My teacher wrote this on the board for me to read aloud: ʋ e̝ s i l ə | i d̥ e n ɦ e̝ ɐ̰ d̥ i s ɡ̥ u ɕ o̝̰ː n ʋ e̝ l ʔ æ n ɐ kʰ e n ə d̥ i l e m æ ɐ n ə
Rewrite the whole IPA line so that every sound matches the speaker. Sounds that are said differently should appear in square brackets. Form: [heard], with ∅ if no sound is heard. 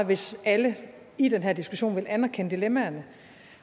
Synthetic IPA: ʋ e̝ s [æ] l ə | i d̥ e n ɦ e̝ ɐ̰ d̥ i s ɡ̥ u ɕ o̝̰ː n ʋ e̝ l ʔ æ n ɐ kʰ e n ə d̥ i l e m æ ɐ n ə